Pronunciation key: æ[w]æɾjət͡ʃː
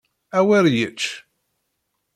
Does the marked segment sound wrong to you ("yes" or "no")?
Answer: no